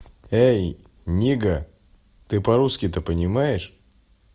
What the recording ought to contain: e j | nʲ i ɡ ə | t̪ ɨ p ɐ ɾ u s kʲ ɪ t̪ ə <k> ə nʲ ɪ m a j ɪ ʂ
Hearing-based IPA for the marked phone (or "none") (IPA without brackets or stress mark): p